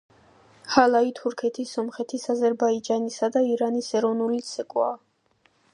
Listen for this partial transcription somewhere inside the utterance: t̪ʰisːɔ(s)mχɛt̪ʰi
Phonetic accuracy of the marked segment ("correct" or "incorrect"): incorrect